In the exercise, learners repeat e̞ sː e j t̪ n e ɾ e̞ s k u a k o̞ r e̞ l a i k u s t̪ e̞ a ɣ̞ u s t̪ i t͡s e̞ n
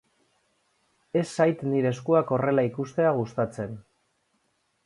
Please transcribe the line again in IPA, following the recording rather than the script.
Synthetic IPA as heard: e̞ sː a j t̪ n i ɾ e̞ s k u a k o̞ r e̞ l a i k u s t̪ e̞ a ɣ̞ u s t̪ a t͡s e̞ n